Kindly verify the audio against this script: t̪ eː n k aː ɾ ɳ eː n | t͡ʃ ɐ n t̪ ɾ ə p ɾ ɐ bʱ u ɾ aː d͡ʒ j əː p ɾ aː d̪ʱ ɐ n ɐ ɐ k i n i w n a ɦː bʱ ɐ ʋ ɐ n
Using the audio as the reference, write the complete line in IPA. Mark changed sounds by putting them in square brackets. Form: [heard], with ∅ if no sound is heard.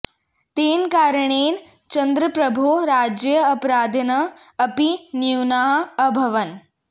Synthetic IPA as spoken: t̪ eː n k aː ɾ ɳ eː n | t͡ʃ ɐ n [d̪] ɾ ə p ɾ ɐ bʱ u ɾ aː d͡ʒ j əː p ɾ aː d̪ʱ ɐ n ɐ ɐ [p] i n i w n a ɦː bʱ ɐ ʋ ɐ n